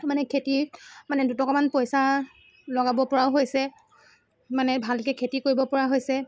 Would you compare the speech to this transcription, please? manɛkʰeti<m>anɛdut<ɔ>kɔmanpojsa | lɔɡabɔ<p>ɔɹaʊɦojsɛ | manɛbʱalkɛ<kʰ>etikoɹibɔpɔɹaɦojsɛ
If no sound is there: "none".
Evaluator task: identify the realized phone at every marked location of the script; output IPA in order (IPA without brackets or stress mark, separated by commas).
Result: m, ɔ, p, kʰ